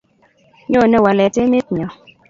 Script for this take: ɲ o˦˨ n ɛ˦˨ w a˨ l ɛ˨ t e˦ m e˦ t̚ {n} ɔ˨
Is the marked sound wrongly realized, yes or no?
yes